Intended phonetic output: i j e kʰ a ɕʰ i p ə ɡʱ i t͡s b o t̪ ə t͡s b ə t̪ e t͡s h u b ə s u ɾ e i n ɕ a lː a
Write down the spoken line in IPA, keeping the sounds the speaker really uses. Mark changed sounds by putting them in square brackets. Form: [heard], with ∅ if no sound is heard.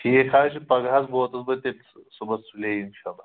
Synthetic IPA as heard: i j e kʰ a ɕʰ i p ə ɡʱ [a] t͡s b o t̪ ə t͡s b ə t̪ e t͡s [s] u b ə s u [l] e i n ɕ a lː a